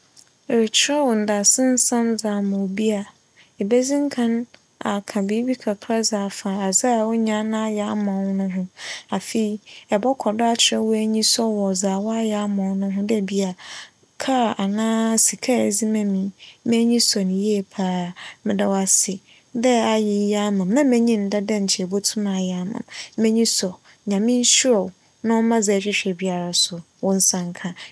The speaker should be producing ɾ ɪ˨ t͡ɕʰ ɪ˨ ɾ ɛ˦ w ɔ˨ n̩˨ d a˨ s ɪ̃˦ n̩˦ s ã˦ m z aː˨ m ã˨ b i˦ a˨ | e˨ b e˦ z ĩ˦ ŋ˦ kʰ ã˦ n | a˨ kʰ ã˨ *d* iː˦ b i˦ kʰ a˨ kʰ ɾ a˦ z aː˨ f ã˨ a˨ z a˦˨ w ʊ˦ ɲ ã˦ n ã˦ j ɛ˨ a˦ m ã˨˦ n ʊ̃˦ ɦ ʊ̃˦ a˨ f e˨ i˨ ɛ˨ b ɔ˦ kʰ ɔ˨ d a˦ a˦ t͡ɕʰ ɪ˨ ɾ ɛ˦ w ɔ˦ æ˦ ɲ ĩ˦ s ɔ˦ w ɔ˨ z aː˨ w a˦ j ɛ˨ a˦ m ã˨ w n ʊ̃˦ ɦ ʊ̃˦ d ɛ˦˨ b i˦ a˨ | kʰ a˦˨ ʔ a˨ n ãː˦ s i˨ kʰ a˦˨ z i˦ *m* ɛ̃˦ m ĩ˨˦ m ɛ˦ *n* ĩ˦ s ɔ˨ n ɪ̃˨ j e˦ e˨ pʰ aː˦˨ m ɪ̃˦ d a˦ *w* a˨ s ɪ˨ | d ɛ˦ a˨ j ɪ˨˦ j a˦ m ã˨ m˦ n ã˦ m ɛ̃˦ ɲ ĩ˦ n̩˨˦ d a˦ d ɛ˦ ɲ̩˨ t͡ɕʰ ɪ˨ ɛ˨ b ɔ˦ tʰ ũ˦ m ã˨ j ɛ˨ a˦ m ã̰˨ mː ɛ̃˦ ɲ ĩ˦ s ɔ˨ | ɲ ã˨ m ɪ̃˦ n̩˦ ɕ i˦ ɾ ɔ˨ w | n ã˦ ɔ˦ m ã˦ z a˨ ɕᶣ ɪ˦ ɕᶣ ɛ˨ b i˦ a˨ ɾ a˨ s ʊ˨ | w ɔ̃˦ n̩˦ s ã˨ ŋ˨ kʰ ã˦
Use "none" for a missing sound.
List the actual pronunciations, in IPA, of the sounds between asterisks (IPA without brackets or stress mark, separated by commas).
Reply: b, m, ɲ, w